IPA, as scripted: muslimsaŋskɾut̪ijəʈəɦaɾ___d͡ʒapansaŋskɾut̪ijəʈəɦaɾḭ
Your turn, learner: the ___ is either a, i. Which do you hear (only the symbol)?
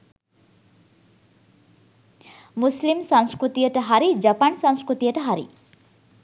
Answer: i